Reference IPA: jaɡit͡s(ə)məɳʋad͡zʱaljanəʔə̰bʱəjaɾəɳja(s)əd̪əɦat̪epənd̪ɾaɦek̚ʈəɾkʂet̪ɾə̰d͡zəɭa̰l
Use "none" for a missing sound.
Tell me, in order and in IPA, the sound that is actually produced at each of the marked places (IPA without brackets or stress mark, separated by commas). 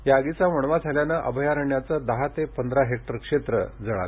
a, t͡s